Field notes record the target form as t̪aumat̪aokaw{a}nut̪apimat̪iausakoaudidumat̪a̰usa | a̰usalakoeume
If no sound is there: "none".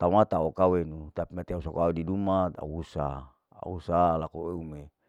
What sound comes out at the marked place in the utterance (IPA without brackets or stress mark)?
e